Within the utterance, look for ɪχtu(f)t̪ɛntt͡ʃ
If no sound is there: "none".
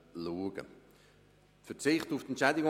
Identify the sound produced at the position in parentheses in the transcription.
f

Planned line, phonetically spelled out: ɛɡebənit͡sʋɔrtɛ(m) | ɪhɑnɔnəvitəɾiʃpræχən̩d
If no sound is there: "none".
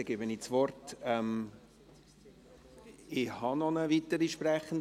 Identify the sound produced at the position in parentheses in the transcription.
m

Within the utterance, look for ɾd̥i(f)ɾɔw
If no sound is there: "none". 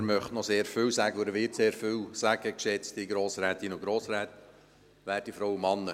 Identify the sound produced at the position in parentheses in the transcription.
f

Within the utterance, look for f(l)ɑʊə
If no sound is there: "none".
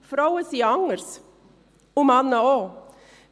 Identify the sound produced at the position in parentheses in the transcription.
ɾ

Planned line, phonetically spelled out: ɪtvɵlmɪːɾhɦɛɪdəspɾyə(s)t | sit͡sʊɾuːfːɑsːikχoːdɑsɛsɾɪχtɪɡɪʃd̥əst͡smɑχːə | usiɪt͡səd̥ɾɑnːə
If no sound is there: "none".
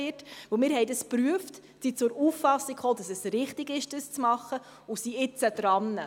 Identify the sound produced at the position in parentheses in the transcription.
f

